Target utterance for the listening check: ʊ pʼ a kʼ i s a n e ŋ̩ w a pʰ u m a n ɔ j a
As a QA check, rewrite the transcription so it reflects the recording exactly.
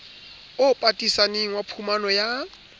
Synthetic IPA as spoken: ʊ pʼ a tʼ i s a n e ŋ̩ w a pʰ u m a n ɔ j a